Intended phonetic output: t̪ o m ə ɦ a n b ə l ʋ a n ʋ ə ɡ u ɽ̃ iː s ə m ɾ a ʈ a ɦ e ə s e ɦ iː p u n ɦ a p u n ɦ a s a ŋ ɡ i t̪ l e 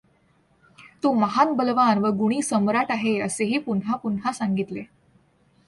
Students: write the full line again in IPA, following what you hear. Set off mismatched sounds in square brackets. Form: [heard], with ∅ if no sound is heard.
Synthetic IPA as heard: t̪ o m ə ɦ a n b ə l ʋ a n ʋ ə ɡ u ɽ̃ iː s ə m ɾ a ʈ a ɦ e ə s e ɦ iː p u n ɦ a p u n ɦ a s a ŋ ɡ i t̪ l e